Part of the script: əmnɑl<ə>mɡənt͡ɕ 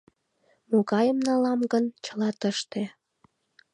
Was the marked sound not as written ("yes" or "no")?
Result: yes